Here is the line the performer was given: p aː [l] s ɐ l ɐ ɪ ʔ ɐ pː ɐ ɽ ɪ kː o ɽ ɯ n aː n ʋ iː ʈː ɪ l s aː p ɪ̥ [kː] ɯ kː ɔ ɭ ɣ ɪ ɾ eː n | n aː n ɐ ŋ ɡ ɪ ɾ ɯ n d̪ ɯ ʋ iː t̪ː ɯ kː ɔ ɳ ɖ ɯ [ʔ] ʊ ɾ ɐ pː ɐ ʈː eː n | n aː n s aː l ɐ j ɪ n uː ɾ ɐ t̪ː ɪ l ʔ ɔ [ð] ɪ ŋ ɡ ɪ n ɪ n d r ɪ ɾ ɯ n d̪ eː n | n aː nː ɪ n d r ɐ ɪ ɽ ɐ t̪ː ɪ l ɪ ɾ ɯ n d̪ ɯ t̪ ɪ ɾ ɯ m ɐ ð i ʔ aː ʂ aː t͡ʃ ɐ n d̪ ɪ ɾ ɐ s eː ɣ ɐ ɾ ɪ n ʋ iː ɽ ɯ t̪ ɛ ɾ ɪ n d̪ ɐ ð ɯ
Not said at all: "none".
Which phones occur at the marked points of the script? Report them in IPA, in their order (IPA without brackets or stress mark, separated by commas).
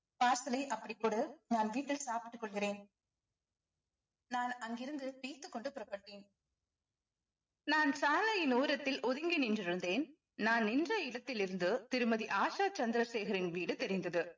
ɾ, ʈː, p, ð